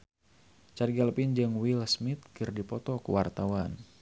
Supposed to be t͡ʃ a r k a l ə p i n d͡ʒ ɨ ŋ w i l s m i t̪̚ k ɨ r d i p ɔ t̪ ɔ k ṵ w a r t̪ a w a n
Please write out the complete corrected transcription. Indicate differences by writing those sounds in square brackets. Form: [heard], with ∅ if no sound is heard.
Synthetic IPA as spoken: t͡ʃ a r [ɡ] a l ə p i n d͡ʒ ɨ ŋ w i l s m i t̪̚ k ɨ r d i p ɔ t̪ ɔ k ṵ w a r t̪ a w a n